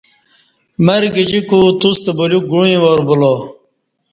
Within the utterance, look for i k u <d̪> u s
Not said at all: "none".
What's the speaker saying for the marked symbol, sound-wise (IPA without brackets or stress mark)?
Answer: t̪